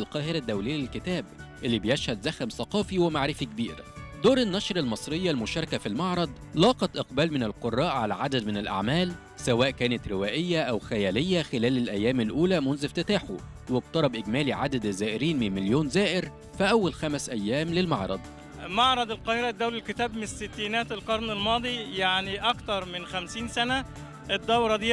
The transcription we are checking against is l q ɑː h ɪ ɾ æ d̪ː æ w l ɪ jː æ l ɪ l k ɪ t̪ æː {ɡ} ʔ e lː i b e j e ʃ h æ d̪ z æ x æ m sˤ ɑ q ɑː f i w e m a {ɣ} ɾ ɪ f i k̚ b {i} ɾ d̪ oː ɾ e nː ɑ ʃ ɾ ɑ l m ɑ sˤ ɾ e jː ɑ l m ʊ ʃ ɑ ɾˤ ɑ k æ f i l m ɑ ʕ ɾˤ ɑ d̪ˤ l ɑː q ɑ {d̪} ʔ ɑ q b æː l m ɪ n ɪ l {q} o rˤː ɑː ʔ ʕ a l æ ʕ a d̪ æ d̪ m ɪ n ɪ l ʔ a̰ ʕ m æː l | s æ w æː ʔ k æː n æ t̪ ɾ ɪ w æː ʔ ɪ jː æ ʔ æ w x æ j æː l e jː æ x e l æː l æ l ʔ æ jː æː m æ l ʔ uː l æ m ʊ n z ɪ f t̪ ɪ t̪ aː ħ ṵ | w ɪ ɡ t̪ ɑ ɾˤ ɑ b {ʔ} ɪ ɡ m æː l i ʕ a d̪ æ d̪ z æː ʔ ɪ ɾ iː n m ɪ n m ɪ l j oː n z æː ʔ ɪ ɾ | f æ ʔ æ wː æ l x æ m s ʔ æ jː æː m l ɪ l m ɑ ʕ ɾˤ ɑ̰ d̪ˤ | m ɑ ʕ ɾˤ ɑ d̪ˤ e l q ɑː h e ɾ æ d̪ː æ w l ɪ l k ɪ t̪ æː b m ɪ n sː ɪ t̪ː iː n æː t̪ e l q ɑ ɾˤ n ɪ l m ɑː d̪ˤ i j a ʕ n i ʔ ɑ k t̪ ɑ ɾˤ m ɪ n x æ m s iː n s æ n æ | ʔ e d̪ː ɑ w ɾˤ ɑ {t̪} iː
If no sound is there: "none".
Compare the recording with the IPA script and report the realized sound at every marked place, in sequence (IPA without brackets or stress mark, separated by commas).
b, ʕ, iː, t̪, q, ʔ, d̪